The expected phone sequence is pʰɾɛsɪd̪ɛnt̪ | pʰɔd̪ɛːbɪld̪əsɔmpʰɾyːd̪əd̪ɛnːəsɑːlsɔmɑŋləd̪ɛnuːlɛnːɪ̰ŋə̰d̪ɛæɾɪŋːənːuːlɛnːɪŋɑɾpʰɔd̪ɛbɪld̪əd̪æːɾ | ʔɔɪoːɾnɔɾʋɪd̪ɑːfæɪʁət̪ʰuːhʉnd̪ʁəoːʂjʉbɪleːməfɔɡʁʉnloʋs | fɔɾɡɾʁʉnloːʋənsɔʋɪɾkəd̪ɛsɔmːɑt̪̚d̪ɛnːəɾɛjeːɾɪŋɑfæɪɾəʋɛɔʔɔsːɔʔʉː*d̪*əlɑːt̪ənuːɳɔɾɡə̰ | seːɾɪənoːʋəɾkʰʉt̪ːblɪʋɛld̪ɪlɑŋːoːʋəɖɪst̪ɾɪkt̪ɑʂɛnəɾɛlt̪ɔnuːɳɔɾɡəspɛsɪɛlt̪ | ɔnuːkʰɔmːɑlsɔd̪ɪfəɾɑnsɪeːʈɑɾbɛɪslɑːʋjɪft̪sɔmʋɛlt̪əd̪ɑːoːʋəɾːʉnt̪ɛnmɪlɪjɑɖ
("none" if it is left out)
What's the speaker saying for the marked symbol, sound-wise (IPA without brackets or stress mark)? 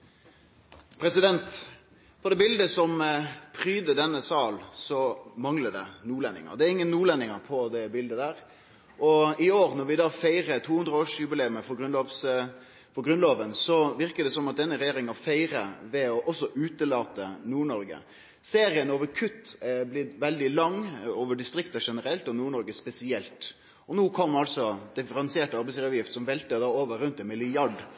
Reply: t̪